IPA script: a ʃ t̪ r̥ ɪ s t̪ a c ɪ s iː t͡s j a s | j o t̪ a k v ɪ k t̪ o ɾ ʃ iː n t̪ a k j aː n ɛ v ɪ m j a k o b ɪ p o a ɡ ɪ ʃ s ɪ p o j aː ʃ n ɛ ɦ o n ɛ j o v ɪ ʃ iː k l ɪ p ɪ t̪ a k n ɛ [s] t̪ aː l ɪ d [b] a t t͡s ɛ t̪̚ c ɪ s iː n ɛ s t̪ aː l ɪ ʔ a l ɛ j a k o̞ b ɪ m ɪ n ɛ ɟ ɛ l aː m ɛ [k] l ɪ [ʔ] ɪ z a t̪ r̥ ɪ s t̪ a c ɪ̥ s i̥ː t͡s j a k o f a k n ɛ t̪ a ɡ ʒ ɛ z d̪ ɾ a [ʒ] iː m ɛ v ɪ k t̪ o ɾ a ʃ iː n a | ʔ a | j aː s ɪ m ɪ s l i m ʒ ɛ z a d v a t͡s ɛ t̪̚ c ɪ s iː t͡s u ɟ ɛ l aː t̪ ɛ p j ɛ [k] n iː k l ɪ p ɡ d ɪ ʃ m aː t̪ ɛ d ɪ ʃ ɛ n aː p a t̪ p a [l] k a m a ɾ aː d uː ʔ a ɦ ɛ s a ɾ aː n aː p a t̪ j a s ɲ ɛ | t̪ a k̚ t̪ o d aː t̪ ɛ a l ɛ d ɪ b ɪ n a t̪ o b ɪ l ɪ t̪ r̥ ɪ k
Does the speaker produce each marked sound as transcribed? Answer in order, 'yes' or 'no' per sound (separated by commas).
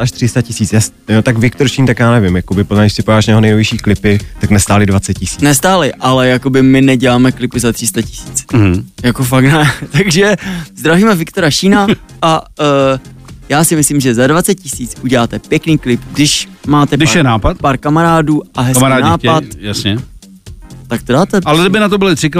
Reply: yes, no, yes, no, no, yes, no